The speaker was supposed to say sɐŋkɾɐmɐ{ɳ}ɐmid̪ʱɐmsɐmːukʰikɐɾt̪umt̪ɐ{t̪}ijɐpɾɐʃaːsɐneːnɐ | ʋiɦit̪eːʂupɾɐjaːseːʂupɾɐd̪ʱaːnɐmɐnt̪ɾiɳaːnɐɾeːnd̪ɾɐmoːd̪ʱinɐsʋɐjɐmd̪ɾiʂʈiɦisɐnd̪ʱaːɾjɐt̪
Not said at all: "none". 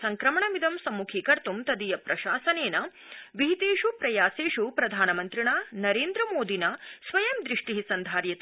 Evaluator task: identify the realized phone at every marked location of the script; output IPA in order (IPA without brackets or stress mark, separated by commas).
ɳ, d̪